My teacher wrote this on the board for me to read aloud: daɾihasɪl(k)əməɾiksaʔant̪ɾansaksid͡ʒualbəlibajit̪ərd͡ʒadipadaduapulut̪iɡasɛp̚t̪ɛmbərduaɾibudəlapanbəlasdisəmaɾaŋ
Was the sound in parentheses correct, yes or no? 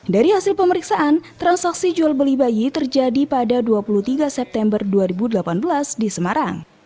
no